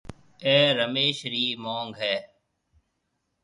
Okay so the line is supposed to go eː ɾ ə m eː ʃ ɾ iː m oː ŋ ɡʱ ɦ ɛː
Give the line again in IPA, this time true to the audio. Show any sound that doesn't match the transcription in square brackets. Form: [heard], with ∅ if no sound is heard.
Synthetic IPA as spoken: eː ɾ ə m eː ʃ ɾ iː m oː ŋ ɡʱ ɦ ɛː